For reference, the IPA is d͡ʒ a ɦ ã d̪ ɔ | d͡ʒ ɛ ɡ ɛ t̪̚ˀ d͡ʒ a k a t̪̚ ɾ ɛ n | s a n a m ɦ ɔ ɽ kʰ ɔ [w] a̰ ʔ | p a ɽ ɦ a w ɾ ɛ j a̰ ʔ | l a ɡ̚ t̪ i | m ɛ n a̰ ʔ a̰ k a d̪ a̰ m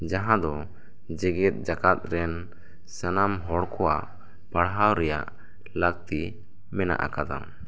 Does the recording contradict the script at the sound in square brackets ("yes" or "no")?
no